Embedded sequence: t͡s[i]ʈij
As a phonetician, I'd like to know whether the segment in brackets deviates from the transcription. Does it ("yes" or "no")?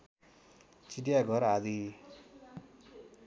no